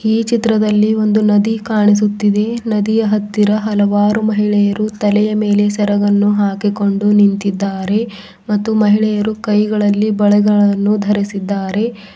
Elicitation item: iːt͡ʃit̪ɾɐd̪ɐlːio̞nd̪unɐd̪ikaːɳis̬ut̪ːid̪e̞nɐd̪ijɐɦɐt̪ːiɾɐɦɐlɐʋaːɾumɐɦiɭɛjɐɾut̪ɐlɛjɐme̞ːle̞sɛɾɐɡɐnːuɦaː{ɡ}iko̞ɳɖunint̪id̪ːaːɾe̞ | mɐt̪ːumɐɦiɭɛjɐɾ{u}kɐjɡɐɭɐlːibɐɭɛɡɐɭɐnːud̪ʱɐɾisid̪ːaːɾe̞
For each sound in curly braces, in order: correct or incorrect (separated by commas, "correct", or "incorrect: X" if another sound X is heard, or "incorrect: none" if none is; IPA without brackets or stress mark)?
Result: incorrect: k, correct